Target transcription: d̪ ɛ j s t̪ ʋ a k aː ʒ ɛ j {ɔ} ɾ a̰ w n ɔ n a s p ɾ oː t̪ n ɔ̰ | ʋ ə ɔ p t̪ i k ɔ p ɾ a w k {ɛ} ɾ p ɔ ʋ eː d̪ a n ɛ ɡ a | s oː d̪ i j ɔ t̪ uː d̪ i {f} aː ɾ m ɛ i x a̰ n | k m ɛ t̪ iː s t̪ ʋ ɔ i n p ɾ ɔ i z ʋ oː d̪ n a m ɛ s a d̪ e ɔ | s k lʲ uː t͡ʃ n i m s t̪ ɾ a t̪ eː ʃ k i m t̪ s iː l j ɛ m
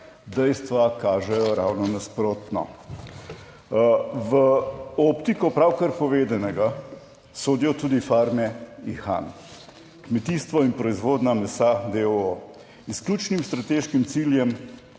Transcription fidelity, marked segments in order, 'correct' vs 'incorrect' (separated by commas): correct, incorrect, correct